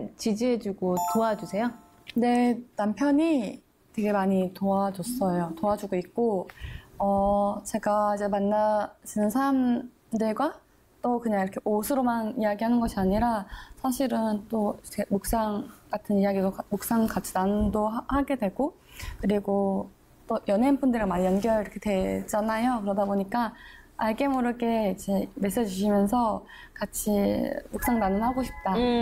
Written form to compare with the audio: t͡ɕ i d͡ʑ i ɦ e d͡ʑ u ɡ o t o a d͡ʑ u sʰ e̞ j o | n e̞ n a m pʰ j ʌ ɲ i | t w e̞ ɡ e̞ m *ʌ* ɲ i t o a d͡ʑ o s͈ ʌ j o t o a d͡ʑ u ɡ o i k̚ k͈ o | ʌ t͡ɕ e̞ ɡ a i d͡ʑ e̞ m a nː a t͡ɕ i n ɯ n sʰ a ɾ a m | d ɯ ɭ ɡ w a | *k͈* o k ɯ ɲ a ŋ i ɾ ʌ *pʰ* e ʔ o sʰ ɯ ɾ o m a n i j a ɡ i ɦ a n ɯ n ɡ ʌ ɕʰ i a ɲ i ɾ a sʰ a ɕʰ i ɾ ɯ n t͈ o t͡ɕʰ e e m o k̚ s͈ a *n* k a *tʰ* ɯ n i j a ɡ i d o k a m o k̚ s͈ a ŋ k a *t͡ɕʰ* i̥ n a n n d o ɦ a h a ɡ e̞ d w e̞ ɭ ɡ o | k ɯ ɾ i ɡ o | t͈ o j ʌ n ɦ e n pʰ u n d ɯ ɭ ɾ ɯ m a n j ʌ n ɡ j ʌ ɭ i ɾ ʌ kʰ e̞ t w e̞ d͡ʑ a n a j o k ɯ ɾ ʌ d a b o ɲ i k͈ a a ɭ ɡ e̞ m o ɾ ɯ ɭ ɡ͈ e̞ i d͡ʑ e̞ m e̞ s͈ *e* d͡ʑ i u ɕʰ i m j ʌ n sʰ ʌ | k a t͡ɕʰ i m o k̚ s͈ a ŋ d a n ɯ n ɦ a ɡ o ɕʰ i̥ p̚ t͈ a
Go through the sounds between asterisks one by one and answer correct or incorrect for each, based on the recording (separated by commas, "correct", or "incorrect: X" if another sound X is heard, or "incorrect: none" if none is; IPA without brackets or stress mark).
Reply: incorrect: a, incorrect: t͈, incorrect: kʰ, incorrect: ŋ, correct, correct, correct